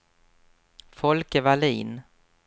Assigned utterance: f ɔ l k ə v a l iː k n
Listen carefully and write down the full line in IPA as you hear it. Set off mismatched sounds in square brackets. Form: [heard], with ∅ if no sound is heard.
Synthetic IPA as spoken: f ɔ l k ə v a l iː [∅] n